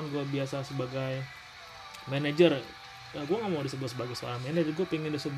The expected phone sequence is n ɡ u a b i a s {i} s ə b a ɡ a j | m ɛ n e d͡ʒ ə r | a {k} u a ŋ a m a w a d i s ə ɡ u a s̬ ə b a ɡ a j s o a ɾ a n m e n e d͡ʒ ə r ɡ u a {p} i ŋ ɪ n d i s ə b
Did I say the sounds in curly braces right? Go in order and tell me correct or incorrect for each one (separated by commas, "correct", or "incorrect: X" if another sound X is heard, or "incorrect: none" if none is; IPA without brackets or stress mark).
incorrect: a, incorrect: ɡ, correct